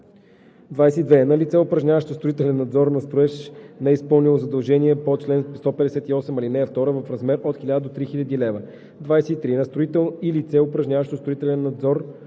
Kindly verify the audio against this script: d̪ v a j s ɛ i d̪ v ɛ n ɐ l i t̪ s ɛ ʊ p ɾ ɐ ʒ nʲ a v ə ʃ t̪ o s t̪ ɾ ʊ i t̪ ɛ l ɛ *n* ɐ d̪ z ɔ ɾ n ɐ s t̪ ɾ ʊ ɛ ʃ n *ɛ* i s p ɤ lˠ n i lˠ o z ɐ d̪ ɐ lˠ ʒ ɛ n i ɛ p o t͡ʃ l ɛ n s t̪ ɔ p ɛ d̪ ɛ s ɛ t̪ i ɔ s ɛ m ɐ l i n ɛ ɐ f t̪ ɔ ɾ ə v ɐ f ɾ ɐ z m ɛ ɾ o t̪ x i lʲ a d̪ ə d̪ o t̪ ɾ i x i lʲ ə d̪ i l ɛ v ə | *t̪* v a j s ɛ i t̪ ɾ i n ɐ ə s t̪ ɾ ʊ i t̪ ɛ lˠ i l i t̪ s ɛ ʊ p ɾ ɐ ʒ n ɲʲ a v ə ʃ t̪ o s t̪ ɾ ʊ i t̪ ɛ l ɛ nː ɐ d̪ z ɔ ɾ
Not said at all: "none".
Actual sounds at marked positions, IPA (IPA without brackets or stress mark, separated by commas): nː, ɛ, d̪